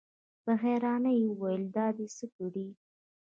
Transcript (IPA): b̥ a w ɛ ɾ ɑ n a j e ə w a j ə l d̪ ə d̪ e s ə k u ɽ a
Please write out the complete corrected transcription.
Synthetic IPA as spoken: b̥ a ɣ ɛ ɾ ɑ n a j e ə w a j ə l d̪ ɑ d̪ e s ə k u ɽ i